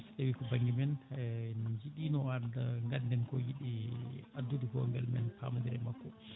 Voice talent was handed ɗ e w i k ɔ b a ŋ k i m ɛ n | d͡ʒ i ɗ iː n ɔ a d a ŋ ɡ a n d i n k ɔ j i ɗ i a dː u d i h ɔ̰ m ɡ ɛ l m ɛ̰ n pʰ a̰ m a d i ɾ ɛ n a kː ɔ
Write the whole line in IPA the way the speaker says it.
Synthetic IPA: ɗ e w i k ɔ b a ŋ ɡ i m ɛ n | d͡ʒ i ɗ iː n ɔ a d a ŋ ɡ a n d ɛ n k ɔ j i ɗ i a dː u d i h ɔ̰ ŋ ɡ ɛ l m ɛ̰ n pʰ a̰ m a d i ɾ ɛ m a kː ɔ